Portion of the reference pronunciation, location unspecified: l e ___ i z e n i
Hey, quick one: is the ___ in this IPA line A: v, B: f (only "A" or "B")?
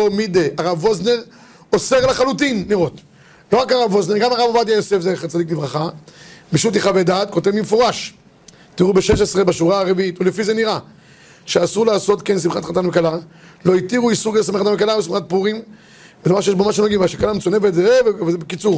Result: B